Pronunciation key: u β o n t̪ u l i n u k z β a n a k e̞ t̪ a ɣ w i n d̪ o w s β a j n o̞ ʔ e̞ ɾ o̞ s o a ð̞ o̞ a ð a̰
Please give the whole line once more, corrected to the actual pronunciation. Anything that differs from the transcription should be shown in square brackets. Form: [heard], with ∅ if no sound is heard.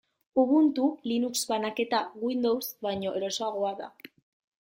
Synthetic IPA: u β [u] n t̪ u l i n u k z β a n a k e̞ t̪ a ɣ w i n d̪ o w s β a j [ɲ] o̞ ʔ e̞ ɾ o̞ s o a [ɣ̞] o̞ a ð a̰

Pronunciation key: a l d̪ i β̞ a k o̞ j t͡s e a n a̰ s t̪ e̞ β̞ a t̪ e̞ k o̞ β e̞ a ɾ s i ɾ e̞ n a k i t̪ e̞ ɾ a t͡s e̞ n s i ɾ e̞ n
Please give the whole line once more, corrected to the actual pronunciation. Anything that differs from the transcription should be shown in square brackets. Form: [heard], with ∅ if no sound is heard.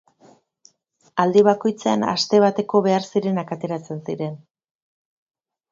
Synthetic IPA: a l d̪ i β̞ a k o̞ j t͡s e a n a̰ s t̪ e̞ β̞ a t̪ e̞ k o̞ β e̞ a ɾ s i ɾ e̞ n a k [a] t̪ e̞ ɾ a t͡s e̞ n s i ɾ e̞ n

